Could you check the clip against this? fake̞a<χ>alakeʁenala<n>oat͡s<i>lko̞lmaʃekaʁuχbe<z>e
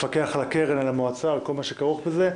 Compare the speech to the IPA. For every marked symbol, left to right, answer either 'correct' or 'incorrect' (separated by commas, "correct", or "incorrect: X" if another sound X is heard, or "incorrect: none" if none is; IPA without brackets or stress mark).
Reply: correct, incorrect: m, incorrect: a, correct